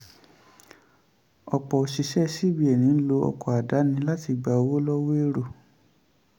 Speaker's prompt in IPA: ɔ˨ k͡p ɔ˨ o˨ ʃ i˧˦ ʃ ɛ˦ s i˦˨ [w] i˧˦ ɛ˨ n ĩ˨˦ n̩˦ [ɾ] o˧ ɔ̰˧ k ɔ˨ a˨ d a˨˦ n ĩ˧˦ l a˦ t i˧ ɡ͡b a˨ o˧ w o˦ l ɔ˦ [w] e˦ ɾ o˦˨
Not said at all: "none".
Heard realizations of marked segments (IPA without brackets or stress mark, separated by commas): b, l, w